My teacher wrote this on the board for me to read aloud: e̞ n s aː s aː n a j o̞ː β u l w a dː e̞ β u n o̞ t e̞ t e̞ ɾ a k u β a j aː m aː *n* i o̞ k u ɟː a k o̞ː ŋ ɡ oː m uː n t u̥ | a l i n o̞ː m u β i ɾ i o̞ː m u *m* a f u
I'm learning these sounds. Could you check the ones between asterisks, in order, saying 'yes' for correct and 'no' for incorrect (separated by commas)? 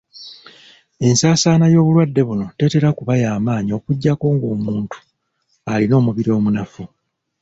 no, no